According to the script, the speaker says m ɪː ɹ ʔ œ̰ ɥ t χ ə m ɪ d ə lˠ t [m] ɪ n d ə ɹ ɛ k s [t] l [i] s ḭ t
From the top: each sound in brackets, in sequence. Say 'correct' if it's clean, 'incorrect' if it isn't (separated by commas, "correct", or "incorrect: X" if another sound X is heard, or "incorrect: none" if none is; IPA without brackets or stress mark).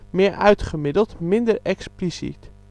correct, incorrect: p, correct